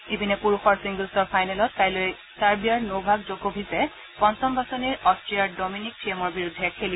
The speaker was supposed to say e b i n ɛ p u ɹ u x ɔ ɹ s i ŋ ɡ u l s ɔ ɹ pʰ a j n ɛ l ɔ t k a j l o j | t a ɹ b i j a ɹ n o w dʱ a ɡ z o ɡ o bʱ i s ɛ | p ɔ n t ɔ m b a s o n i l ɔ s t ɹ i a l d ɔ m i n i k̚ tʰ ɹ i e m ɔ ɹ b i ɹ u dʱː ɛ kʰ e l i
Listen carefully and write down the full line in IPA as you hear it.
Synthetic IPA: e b i n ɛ p u ɹ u x ɔ ɹ s i ŋ ɡ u l s ɔ ɹ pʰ a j n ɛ l ɔ t k a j l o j | t a ɹ b i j a ɹ n o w bʱ a ɡ z o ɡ o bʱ i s ɛ | p ɔ n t ɔ m b a s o n i ɹ ɔ s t ɹ i a ɹ d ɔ m i n i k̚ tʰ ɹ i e m ɔ ɹ b i ɹ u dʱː ɛ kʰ e l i